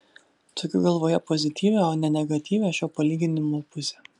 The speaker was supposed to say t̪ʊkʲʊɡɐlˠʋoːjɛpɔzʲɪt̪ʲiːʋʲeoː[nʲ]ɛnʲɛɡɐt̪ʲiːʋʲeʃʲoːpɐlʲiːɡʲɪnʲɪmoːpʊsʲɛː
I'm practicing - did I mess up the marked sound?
no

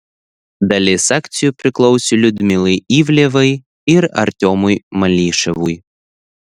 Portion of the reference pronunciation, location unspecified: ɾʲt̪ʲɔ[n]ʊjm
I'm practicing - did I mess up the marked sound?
yes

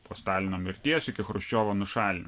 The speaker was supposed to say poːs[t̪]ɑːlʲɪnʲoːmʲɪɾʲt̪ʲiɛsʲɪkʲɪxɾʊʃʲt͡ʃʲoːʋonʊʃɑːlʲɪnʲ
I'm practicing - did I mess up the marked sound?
no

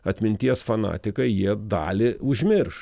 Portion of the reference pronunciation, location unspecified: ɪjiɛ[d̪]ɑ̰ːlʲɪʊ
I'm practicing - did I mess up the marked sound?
no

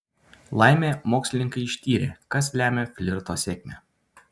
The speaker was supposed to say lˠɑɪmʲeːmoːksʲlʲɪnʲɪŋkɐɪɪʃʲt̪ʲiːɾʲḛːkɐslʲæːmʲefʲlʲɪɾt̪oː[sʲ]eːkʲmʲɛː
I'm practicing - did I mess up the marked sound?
no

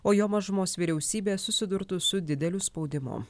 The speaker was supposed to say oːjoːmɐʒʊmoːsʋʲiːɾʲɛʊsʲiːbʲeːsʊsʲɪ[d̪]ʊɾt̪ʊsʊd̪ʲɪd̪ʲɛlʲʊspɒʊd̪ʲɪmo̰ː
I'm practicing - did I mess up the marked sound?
no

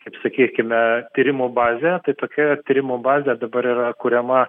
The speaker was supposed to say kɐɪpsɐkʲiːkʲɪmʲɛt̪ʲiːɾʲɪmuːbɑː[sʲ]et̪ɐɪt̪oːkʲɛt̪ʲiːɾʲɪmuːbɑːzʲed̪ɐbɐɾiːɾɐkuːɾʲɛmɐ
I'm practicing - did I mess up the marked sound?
yes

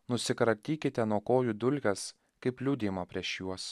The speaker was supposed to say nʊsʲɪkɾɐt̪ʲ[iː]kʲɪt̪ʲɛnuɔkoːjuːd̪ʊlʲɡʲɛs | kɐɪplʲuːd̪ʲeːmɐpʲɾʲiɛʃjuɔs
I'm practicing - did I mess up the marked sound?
no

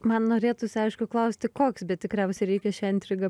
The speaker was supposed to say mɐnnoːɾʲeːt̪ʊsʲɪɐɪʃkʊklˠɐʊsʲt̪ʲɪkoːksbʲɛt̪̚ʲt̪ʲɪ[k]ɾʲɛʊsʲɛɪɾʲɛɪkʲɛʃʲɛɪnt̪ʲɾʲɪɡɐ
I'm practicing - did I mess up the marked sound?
no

